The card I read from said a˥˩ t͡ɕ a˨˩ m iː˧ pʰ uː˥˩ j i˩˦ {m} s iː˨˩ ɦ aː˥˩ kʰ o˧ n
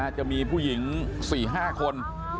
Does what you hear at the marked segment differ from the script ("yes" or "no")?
yes